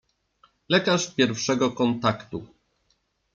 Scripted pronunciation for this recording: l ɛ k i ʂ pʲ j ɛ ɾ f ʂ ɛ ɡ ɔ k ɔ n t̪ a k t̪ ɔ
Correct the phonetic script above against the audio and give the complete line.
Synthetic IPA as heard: l ɛ k a ʂ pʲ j ɛ ɾ f ʂ ɛ ɡ ɔ k ɔ n t̪ a k t̪ u